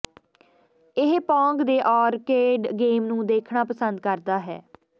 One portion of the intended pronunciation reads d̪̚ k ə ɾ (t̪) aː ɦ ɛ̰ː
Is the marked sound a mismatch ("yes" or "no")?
yes